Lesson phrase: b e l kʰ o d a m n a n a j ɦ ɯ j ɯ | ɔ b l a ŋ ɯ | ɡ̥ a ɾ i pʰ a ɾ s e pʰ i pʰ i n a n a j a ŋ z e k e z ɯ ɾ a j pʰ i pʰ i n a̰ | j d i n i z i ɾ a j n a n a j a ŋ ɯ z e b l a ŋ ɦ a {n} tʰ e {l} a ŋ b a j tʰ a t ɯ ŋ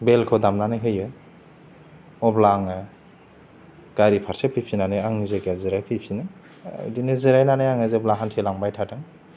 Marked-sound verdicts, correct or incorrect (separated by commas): correct, correct